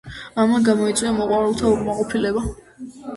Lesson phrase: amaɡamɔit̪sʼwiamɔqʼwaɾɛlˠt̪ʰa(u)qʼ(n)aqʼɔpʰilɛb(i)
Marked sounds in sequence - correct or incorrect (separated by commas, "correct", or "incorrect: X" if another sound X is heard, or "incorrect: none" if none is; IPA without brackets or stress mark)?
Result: correct, incorrect: m, incorrect: a